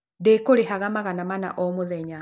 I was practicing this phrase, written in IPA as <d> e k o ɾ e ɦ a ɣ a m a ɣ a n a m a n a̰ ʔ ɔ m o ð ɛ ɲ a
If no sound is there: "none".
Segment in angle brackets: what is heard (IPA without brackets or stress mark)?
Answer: d